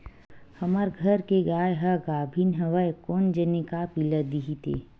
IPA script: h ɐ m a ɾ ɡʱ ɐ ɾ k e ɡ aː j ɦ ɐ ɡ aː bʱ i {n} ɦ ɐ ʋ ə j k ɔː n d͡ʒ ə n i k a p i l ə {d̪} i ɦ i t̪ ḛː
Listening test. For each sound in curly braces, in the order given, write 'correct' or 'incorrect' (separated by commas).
correct, correct